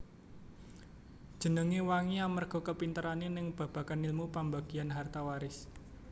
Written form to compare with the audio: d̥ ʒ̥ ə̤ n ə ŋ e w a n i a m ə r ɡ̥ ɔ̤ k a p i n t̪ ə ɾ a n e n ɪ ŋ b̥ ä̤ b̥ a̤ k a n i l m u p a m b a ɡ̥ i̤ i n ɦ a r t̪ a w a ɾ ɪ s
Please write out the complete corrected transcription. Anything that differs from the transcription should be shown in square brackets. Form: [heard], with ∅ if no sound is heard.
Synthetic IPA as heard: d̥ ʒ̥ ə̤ n ə ŋ e w a [ŋ] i a m ə r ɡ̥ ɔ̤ k [ə] p i n t̪ ə ɾ a n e n ɪ ŋ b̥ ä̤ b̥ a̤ k a n i l m u p a m b a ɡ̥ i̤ [a] n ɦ a r t̪ a w a ɾ ɪ s